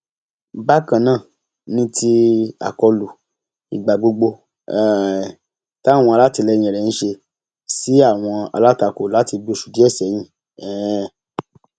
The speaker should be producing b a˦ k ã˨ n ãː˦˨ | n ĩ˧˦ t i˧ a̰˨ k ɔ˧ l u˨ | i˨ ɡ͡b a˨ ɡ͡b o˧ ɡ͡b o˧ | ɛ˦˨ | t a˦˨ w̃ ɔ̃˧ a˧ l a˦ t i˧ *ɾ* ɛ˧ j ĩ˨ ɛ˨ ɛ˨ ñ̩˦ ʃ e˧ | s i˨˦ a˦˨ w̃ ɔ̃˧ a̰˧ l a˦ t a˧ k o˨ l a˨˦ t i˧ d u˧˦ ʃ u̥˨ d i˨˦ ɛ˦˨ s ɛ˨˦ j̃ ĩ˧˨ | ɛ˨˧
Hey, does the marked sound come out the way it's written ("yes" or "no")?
no